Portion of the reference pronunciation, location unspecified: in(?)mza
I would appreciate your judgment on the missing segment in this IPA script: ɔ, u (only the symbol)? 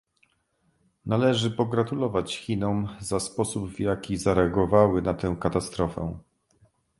ɔ